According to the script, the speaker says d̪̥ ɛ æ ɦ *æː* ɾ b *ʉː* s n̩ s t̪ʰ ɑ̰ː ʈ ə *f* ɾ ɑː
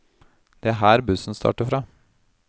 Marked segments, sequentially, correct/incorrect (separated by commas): correct, incorrect, correct